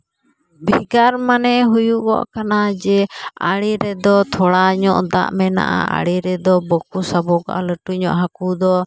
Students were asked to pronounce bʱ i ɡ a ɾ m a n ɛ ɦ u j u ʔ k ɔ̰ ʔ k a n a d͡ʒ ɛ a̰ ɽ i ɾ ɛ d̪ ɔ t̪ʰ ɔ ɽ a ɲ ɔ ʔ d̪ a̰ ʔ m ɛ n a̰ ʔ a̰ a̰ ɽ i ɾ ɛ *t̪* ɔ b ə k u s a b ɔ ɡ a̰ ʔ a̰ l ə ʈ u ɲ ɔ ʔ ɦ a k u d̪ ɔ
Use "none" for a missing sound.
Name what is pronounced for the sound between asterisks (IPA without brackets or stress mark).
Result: d̪